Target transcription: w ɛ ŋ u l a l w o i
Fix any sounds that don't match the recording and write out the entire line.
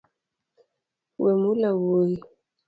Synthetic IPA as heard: w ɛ m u l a w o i